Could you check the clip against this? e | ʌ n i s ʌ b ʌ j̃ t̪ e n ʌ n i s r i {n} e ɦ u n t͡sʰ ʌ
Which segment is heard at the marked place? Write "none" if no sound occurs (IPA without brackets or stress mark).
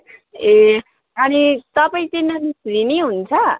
n